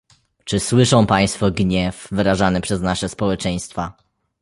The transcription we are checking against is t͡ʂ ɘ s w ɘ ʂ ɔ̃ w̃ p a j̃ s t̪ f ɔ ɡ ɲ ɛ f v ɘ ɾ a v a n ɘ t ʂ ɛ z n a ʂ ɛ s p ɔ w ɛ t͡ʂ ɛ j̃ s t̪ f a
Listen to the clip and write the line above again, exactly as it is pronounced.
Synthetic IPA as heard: t͡ʂ ɘ s w ɘ ʂ ɔ̃ w̃ p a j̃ s t̪ f ɔ ɡ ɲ ɛ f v ɘ ɾ a ʐ a n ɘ p ʂ ɛ z n a ʂ ɛ s p ɔ w ɛ t͡ʂ ɛ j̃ s t̪ f a